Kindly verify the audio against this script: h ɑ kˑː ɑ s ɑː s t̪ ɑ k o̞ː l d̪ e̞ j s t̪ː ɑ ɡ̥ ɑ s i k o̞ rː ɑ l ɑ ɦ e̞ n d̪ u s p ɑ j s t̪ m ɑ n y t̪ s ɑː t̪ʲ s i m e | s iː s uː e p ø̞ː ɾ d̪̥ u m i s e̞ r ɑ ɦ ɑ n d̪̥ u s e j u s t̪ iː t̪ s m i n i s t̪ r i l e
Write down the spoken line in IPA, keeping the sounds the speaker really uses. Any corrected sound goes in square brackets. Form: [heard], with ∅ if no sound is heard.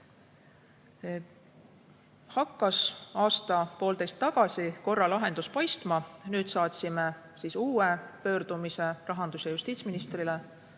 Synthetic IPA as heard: h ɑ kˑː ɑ s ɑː s t̪ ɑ [p] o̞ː l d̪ e̞ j s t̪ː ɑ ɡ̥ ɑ s i k o̞ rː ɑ l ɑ ɦ e̞ n d̪ u s p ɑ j s t̪ m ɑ n [yː] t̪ s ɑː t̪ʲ s i m e | s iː s uː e p ø̞ː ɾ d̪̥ u m i s e̞ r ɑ ɦ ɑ n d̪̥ u s e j u s t̪ iː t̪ s m i n i s t̪ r i l e